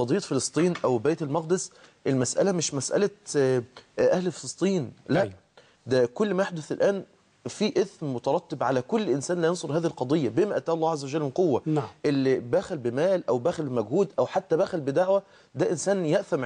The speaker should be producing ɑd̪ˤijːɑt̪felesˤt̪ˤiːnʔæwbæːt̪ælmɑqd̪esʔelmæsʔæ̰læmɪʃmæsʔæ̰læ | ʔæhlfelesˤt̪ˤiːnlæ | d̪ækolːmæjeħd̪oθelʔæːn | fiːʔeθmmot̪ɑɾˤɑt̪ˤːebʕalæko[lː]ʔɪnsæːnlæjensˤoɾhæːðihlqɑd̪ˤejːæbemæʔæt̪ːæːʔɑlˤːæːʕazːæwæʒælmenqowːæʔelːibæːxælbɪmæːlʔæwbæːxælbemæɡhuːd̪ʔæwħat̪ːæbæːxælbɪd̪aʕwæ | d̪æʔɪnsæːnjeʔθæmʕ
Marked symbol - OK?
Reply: yes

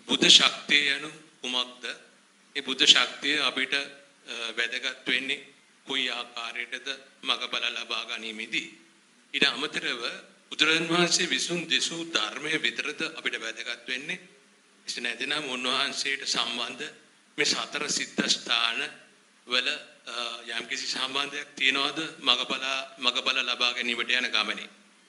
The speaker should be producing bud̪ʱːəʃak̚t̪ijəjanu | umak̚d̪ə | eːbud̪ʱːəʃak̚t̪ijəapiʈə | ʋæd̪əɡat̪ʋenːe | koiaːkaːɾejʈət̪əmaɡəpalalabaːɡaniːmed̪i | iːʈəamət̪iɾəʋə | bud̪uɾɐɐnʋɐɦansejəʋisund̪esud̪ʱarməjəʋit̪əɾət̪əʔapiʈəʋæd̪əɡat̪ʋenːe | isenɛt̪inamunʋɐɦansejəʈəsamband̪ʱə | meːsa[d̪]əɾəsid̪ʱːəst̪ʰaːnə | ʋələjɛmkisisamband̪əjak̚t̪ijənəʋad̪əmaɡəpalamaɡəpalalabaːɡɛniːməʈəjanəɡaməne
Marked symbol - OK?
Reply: no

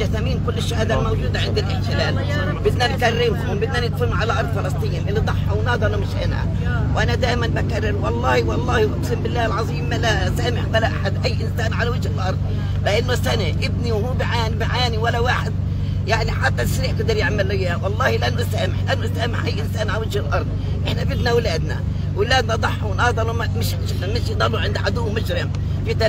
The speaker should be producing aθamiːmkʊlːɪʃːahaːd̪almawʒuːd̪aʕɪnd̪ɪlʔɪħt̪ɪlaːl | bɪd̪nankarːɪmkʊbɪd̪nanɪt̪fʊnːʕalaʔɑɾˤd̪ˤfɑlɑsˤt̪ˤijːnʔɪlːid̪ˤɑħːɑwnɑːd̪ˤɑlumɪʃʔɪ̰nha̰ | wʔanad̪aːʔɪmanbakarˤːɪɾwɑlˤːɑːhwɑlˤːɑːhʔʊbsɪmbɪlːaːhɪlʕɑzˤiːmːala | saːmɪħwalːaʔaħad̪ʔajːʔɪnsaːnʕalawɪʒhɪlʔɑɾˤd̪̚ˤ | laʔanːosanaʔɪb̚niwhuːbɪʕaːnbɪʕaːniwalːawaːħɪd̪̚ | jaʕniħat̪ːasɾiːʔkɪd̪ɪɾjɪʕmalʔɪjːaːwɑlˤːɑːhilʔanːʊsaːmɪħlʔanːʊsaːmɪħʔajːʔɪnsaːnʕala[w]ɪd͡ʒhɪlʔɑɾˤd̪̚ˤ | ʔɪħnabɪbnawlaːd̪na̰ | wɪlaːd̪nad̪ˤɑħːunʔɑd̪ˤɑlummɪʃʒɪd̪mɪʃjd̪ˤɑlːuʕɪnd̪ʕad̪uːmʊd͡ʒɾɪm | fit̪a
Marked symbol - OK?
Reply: yes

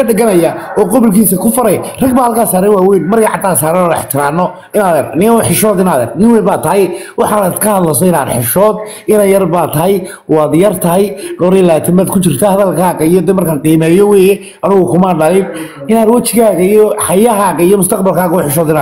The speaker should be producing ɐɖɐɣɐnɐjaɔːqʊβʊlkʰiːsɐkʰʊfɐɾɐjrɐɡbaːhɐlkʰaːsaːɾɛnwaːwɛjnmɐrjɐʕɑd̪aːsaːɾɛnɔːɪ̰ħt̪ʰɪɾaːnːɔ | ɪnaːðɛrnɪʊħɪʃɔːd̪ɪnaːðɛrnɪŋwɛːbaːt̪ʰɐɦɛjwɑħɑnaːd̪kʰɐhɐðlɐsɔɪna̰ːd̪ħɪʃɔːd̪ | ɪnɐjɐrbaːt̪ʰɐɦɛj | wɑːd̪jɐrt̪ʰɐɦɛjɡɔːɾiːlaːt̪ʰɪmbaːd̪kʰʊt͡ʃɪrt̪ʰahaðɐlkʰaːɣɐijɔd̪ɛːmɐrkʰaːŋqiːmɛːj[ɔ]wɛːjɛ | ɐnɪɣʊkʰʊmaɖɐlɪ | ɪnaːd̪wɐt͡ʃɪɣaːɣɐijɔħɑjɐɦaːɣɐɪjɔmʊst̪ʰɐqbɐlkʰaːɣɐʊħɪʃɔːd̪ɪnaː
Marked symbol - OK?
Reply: yes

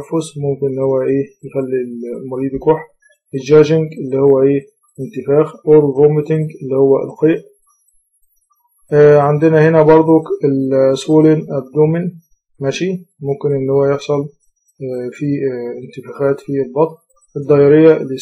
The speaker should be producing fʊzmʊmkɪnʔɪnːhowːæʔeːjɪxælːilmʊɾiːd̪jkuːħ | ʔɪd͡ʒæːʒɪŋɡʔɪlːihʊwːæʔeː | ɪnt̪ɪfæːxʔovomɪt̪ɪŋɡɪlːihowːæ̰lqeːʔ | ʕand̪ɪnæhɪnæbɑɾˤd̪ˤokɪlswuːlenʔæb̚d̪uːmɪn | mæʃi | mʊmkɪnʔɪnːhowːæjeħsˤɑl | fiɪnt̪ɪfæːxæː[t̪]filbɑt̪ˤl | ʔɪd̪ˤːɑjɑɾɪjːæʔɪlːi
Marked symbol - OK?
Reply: yes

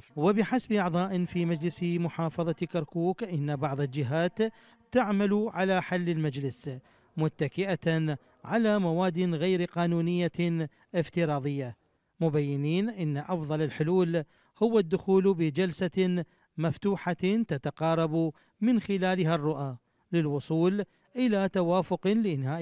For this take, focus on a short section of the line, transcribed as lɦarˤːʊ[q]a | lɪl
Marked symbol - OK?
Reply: no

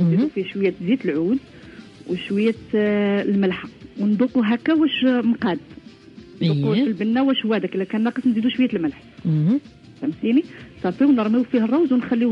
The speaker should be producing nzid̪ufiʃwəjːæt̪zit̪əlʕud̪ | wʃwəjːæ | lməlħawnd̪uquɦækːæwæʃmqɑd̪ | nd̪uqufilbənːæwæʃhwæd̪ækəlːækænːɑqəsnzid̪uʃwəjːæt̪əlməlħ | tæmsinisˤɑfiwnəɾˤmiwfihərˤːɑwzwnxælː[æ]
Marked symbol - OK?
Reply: no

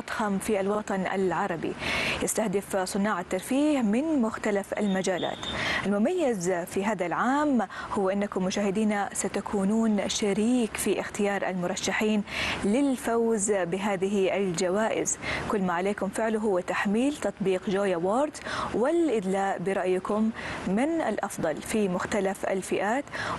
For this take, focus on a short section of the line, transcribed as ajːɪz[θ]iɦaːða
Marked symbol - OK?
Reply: no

